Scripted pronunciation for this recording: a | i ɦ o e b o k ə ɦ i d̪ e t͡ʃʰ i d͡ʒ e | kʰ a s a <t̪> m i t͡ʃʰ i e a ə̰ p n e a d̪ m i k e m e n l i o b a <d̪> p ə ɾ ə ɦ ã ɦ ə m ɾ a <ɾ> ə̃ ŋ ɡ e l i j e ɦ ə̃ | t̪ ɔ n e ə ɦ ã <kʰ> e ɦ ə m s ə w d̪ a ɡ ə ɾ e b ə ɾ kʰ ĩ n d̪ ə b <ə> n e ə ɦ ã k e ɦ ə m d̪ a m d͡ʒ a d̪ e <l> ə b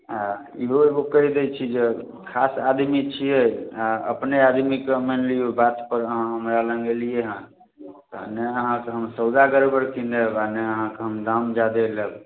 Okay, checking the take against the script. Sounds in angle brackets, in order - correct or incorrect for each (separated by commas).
incorrect, incorrect, incorrect, incorrect, incorrect, correct